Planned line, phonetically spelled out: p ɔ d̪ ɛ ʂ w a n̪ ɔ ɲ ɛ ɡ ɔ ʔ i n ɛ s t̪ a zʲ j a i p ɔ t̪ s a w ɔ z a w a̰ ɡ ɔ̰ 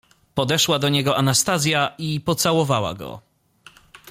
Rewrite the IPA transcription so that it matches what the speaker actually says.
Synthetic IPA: p ɔ d̪ ɛ ʂ w a d̪ ɔ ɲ ɛ ɡ ɔ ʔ a n a s t̪ a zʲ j a i p ɔ t̪ s a w ɔ v a w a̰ ɡ ɔ̰

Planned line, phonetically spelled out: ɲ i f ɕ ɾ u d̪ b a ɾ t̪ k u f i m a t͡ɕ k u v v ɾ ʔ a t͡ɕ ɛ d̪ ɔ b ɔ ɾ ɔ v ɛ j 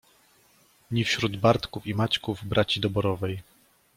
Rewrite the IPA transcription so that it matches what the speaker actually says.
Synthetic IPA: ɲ i f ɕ ɾ u d̪ b a ɾ t̪ k u f i m a t͡ɕ k u v b ɾ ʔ a t͡ɕ i d̪ ɔ b ɔ ɾ ɔ v ɛ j

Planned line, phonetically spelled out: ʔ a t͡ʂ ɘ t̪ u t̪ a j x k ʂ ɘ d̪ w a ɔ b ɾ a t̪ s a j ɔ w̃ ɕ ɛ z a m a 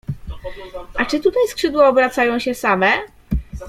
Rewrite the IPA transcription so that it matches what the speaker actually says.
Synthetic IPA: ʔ a t͡ʂ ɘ t̪ u t̪ a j s k ʂ ɘ d̪ w a ɔ b ɾ a t̪ s a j ɔ̃ w̃ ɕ ɛ s a m ɛ

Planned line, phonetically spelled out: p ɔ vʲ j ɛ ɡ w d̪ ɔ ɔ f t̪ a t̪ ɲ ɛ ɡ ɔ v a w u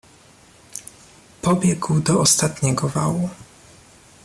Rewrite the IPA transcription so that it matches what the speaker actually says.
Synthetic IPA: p ɔ bʲ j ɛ ɡ w d̪ ɔ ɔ s t̪ a t̪ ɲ ɛ ɡ ɔ v a w u

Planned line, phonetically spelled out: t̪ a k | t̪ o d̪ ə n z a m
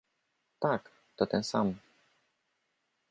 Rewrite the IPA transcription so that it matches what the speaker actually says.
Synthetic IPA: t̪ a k | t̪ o t̪ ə n s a m

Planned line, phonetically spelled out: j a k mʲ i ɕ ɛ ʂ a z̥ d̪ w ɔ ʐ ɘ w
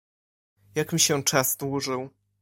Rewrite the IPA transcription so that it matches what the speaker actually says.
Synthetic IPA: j a k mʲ i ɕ ɛ t͡ʂ a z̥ d̪ w u ʐ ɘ w

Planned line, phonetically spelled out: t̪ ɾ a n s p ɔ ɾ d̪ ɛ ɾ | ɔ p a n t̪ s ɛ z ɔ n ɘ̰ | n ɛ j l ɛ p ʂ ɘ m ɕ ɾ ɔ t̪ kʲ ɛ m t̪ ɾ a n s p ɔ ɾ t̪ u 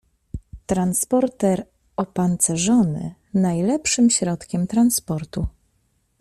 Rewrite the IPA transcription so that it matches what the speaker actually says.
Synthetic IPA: t̪ ɾ a n s p ɔ ɾ t̪ ɛ ɾ | ɔ p a n t̪ s ɛ ʐ ɔ n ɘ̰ | n a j l ɛ p ʂ ɘ m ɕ ɾ ɔ t̪ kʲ ɛ m t̪ ɾ a n s p ɔ ɾ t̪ u

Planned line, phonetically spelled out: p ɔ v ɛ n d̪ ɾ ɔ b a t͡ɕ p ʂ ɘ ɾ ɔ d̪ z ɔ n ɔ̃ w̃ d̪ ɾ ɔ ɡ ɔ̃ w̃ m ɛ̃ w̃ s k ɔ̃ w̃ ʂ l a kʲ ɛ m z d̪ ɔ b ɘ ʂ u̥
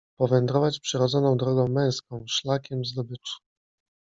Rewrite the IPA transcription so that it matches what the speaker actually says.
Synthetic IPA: p ɔ v ɛ n d̪ ɾ ɔ v a t͡ɕ p ʂ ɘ ɾ ɔ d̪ z ɔ n ɔ̃ w̃ d̪ ɾ ɔ ɡ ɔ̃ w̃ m ɛ̃ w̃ s k ɔ̃ w̃ ʂ l a kʲ ɛ m z d̪ ɔ b ɘ t͡ʂ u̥

